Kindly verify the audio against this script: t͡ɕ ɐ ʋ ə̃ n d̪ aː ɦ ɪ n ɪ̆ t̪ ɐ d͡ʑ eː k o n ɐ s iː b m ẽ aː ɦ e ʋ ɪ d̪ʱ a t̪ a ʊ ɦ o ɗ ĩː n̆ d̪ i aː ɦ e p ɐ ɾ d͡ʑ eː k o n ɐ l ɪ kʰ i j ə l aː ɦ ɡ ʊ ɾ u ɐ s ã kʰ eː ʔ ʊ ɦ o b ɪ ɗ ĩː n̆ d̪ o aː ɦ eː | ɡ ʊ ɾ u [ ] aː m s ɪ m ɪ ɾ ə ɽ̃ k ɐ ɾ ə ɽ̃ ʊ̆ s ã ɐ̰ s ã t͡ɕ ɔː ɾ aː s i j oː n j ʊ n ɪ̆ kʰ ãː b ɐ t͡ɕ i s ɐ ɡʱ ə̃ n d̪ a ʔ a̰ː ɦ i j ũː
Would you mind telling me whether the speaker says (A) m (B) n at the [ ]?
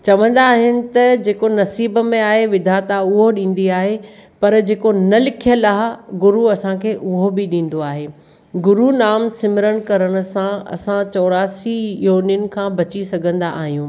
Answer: B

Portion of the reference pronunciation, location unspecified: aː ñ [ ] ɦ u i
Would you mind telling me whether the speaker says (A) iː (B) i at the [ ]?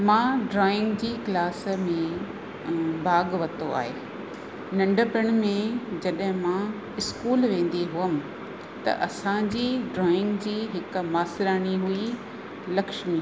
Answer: B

